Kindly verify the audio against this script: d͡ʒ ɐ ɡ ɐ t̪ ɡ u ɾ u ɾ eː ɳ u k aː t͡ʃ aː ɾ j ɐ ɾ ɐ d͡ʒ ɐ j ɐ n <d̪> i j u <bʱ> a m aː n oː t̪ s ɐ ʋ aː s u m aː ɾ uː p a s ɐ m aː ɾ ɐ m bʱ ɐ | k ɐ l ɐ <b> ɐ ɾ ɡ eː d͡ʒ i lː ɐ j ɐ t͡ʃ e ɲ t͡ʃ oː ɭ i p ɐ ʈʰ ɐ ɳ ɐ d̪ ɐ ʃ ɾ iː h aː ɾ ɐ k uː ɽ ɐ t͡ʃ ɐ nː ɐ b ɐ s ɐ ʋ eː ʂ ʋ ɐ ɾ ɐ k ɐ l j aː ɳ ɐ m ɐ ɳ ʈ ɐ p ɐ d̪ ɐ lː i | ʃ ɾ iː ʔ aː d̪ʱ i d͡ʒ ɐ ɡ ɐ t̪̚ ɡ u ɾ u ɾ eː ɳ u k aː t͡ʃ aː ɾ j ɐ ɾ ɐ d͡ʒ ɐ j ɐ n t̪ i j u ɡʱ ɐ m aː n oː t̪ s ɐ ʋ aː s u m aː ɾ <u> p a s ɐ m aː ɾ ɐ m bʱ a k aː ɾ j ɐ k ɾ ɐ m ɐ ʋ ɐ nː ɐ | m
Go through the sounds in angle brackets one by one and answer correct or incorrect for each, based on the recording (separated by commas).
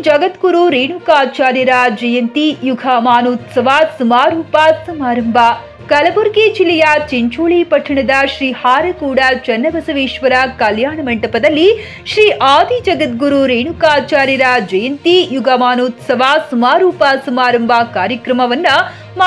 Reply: incorrect, incorrect, correct, incorrect